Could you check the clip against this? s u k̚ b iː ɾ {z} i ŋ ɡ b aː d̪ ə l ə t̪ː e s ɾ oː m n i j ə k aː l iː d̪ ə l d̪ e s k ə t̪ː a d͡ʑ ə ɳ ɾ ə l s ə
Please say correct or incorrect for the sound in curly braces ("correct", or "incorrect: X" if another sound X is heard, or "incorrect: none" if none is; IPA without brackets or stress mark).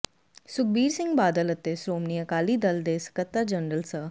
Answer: incorrect: s